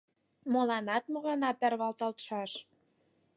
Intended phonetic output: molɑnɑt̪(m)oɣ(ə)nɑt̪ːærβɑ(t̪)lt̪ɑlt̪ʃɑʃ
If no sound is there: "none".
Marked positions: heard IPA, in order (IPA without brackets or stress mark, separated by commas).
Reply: m, ɑ, none